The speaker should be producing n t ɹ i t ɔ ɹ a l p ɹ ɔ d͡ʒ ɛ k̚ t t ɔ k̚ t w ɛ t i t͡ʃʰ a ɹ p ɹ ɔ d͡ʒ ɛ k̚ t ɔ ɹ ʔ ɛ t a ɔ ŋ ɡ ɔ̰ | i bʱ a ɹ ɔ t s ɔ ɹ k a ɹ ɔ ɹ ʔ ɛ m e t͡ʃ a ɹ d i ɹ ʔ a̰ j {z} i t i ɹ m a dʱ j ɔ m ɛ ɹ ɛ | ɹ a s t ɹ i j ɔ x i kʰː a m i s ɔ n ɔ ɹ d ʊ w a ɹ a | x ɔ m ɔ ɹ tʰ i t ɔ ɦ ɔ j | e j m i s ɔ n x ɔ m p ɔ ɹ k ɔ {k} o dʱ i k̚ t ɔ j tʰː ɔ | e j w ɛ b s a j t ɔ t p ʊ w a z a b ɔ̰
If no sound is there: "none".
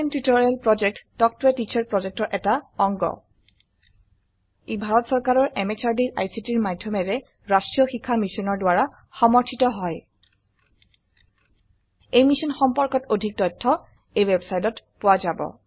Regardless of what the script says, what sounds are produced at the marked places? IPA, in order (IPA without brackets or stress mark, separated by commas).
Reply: s, t